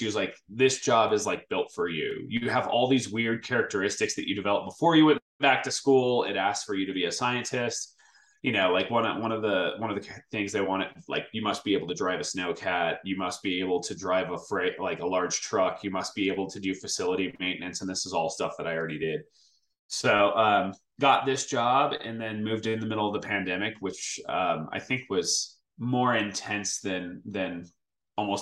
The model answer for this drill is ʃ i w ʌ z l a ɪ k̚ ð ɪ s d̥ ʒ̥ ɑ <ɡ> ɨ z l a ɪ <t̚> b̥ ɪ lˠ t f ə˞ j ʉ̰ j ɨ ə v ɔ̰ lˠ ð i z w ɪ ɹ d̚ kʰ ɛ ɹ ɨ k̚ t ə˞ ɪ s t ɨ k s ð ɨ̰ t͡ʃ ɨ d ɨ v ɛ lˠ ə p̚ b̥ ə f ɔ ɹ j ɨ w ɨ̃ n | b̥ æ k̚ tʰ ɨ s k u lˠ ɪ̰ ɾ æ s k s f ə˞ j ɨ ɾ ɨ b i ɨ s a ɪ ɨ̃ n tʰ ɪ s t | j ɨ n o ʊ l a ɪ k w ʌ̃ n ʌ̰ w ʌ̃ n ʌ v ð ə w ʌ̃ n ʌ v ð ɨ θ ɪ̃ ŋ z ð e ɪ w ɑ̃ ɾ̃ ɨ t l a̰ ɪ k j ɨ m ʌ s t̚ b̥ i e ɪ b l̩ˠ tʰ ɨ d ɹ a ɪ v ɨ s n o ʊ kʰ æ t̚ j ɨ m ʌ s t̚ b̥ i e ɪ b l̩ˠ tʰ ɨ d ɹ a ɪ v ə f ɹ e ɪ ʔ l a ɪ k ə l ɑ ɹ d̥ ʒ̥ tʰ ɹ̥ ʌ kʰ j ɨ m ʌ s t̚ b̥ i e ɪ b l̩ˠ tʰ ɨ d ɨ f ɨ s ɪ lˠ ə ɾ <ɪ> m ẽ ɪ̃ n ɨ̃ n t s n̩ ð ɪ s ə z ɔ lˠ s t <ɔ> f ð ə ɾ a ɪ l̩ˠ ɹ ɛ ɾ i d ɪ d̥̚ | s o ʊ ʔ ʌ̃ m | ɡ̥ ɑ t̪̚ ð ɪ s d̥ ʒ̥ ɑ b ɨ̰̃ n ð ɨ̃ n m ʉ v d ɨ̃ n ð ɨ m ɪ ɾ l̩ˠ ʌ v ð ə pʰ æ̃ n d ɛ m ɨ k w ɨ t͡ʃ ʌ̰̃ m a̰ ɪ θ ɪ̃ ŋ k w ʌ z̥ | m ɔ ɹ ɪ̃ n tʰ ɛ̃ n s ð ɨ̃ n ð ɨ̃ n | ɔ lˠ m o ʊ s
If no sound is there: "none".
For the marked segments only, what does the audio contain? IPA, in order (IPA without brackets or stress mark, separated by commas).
b, k̚, i, ʌ